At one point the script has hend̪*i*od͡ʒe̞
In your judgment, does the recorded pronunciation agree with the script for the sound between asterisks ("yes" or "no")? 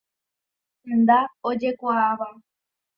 no